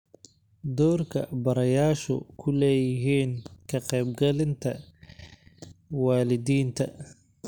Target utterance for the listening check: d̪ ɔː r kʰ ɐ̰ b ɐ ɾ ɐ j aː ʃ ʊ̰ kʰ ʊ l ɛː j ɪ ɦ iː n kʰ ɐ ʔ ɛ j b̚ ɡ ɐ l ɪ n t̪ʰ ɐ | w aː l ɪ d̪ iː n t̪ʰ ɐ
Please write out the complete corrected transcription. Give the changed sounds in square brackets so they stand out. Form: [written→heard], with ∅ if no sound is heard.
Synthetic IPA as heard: d̪ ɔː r kʰ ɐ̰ b ɐ ɾ ɐ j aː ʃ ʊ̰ kʰ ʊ l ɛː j ɪ ɦ iː n kʰ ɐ [ʔ→q] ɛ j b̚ ɡ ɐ l ɪ n t̪ʰ ɐ | w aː l ɪ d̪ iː n t̪ʰ ɐ